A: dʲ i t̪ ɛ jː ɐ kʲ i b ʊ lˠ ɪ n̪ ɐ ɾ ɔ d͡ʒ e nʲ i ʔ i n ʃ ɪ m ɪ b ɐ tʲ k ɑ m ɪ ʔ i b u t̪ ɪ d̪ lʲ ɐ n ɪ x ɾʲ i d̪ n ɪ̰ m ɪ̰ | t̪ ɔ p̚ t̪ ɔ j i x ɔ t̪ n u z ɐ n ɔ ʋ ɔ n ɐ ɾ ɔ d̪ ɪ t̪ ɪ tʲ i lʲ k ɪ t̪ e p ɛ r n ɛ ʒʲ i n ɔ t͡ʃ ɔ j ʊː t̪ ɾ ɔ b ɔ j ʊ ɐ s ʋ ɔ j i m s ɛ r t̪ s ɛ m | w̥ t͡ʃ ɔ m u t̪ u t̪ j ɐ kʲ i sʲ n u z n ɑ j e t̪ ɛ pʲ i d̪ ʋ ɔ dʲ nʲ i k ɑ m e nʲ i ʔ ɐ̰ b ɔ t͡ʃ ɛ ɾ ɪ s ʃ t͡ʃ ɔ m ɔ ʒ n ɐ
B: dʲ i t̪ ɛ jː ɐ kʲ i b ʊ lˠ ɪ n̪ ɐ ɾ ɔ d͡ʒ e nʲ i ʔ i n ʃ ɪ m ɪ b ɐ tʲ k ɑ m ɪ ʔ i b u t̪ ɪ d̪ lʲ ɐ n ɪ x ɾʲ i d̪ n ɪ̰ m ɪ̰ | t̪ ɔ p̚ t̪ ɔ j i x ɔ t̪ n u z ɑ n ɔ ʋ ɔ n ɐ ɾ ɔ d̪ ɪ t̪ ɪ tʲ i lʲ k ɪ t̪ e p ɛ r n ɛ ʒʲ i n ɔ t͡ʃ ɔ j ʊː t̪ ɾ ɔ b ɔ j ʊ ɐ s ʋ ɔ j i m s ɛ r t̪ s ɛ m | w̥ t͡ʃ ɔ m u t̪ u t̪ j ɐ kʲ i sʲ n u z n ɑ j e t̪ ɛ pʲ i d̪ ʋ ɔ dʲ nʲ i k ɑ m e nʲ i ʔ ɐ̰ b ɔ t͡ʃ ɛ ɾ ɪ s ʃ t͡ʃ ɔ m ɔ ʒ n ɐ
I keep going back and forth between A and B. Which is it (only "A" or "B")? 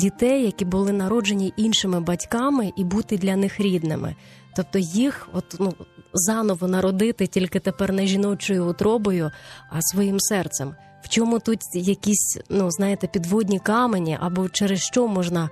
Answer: B